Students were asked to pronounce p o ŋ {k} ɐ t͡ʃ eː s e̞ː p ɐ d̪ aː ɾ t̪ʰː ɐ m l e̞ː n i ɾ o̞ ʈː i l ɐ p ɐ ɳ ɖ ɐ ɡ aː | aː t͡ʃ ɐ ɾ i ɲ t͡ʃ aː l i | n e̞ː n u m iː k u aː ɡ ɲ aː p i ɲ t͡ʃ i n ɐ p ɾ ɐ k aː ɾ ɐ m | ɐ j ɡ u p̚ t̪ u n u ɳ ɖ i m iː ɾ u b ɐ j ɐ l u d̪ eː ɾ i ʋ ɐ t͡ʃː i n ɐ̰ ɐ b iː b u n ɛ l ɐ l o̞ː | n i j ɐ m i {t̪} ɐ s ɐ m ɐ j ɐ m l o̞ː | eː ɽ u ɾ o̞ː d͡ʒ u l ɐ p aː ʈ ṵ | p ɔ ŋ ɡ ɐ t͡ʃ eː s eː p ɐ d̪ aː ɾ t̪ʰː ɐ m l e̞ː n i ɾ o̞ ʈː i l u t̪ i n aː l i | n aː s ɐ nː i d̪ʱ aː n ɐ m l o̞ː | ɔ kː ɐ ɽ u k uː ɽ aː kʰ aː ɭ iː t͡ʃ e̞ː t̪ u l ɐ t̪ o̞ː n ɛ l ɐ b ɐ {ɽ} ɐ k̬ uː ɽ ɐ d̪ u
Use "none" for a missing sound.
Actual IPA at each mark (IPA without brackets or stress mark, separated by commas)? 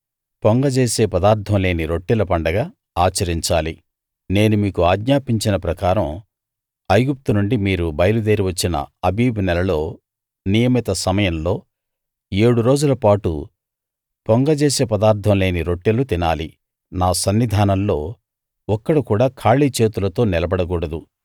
ɡ, t̪, ɽ